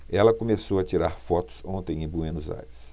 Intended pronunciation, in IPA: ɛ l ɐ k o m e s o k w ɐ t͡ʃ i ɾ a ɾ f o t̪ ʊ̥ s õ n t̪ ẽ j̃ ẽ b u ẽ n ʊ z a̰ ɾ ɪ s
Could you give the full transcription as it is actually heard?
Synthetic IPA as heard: ɛ l ɐ k o m e s o w ɐ t͡ʃ i ɾ a ɾ f ɔ t̪ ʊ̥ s õ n t̪ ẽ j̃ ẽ b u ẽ n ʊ z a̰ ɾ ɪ s